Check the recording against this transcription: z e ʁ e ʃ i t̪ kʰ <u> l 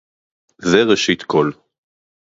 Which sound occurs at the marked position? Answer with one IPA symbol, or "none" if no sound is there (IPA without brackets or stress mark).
o